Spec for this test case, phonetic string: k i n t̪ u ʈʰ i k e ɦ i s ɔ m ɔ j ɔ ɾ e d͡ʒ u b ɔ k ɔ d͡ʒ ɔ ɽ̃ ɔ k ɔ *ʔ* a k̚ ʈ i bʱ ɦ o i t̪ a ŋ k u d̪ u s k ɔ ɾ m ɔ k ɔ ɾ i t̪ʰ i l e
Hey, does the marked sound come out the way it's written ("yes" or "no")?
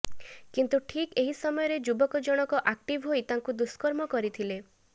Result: yes